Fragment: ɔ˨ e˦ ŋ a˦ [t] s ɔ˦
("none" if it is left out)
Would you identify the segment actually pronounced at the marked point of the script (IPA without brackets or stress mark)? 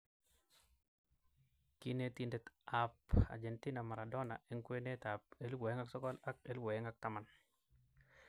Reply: k